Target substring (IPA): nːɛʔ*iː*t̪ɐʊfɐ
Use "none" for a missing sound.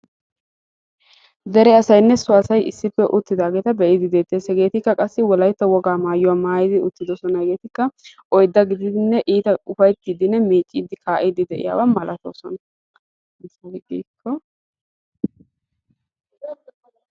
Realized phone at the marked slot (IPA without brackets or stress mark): iː